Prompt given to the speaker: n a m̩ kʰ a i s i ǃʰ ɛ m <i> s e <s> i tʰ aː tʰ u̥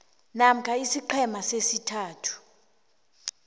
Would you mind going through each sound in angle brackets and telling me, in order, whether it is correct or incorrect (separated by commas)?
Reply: incorrect, correct